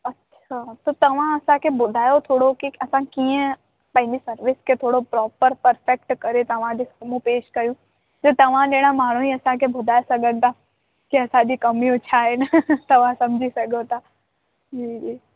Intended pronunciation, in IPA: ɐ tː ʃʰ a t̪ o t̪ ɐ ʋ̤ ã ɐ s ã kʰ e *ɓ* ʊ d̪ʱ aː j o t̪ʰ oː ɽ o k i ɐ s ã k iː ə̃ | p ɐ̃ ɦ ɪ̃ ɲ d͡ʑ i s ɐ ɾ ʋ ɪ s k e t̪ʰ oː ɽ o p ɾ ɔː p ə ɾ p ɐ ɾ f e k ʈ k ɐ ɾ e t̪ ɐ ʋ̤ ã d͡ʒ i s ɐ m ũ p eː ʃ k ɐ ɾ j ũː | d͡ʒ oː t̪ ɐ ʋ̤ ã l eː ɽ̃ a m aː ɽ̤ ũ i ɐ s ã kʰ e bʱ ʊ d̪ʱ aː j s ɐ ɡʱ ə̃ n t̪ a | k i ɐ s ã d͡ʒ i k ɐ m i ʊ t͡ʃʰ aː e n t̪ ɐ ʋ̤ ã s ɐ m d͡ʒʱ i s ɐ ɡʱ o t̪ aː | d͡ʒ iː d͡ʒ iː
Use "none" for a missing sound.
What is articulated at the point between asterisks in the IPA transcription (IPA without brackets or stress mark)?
b